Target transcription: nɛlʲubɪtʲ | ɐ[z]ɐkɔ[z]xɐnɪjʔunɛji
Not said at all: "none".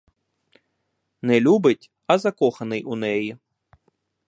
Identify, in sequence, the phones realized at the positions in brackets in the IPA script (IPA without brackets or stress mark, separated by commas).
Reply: z, none